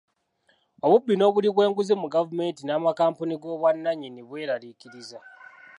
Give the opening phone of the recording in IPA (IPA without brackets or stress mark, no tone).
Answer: o̞